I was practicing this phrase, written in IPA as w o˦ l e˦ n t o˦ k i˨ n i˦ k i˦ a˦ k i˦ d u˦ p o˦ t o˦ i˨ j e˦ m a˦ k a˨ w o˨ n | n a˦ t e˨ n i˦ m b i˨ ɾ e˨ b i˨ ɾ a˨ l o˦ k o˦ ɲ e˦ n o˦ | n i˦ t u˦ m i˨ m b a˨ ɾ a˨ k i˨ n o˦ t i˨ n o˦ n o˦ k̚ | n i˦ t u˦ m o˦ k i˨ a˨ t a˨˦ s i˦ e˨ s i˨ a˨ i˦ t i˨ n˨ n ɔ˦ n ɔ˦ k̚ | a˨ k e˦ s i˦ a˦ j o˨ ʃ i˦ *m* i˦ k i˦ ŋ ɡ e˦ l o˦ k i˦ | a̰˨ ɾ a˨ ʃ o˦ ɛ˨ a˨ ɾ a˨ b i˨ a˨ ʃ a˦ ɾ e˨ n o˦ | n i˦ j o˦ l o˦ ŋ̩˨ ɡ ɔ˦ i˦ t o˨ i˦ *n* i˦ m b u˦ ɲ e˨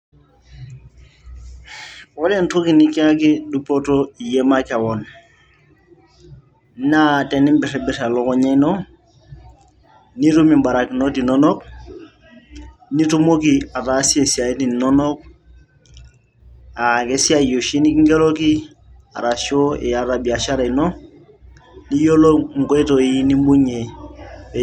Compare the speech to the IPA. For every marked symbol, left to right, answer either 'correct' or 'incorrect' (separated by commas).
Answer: incorrect, correct